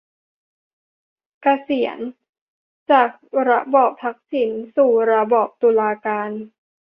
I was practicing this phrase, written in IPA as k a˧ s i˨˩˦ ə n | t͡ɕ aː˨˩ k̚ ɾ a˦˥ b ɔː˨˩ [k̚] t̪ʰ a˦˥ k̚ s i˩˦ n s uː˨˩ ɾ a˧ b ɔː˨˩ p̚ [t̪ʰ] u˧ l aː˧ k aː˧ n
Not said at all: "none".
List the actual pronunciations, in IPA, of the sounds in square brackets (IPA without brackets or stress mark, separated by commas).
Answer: p̚, t̪